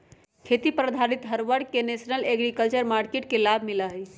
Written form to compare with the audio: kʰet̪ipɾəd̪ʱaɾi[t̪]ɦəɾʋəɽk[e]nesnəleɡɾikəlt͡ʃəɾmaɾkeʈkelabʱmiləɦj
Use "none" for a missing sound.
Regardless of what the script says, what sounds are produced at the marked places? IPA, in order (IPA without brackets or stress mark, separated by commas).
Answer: t̪, e